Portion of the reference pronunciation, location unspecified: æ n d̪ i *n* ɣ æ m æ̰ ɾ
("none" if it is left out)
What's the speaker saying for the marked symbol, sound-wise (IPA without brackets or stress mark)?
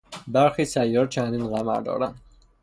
n